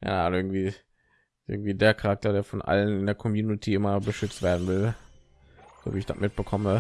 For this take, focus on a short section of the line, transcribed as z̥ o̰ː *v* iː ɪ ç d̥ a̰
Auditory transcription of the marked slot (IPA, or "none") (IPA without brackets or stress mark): v